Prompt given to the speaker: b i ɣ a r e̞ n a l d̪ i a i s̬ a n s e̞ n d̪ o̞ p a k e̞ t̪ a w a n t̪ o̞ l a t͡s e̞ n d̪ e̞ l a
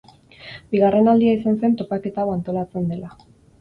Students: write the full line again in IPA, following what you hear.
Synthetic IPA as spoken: b i ɣ a r e̞ n a l d̪ i a i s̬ a n s e̞ n t̪ o̞ p a k e̞ t̪ a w a n t̪ o̞ l a t͡s e̞ n d̪ e̞ l a